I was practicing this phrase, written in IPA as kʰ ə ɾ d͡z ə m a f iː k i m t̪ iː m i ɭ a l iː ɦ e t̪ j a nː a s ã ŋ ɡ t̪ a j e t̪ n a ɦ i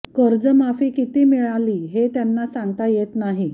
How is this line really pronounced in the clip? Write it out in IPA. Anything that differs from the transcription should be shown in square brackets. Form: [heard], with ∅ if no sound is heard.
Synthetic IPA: [k] ə ɾ d͡z ə m a f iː k i [∅] t̪ iː m i ɭ a l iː ɦ e t̪ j a nː a s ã ŋ ɡ t̪ a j e t̪ n a ɦ i